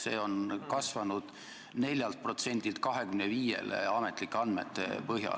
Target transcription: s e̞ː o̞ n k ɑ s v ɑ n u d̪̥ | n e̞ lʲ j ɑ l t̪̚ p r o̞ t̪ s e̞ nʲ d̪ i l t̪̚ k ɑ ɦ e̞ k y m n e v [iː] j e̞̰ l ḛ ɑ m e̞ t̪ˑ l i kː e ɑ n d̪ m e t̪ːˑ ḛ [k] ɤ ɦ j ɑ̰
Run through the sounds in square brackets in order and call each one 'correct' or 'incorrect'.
correct, incorrect: p

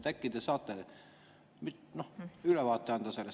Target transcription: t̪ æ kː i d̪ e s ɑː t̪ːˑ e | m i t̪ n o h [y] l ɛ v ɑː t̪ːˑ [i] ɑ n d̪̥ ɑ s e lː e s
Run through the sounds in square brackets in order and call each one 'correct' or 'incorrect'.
correct, incorrect: e

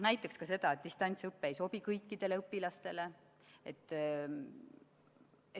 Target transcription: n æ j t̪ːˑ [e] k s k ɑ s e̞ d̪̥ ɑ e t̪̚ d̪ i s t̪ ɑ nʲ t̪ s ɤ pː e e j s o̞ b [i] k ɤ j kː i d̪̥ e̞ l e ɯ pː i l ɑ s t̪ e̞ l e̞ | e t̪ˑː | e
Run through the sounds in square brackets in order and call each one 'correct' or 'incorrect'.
correct, correct

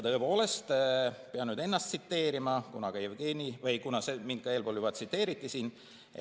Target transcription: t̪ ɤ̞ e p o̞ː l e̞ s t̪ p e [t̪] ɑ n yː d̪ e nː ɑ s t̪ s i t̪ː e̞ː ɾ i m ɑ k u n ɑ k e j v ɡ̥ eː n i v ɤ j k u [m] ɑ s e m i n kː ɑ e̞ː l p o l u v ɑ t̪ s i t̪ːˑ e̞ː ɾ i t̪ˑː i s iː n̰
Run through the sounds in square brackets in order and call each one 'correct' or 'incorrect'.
incorrect: none, incorrect: n

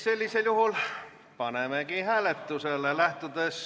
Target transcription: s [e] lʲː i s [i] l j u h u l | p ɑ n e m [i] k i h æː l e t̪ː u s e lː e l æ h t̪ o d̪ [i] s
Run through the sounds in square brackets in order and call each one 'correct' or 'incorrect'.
correct, incorrect: e, incorrect: e, incorrect: e

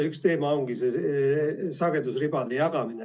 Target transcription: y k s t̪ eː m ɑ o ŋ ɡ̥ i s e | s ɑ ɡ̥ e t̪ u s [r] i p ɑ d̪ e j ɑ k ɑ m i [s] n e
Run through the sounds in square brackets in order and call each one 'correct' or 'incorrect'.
correct, incorrect: none

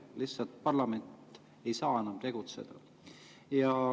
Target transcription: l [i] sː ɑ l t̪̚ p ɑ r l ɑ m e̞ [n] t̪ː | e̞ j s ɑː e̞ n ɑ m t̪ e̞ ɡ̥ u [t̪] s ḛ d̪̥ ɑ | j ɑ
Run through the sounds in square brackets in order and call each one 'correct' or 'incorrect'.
correct, correct, correct

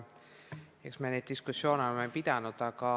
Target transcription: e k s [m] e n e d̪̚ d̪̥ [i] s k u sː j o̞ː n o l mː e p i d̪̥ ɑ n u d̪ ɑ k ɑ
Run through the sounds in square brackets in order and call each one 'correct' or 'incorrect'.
correct, correct

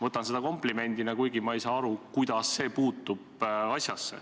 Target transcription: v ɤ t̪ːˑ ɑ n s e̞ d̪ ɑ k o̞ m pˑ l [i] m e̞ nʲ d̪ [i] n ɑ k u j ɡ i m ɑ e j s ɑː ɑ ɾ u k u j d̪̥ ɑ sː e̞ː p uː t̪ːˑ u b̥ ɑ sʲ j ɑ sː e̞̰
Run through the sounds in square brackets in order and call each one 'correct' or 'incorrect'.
correct, correct

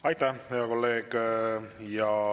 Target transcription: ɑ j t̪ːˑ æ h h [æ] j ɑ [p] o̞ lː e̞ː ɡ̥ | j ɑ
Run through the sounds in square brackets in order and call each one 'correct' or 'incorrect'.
incorrect: e, incorrect: k

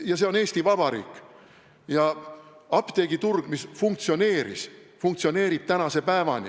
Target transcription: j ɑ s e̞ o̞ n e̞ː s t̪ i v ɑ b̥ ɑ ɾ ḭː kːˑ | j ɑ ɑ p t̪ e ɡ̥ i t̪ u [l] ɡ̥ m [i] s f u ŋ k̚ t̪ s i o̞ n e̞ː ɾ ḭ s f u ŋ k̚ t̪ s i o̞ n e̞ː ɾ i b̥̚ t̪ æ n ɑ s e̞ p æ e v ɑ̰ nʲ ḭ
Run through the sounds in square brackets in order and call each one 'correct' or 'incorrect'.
incorrect: r, correct

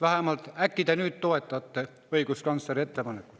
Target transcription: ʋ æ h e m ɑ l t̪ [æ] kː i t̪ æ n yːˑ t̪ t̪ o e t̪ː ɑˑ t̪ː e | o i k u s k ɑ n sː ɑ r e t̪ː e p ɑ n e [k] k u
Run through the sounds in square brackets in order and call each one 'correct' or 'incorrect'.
correct, correct

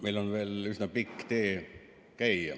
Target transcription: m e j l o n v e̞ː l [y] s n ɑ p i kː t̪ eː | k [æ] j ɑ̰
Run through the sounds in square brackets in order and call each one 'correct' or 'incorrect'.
correct, correct

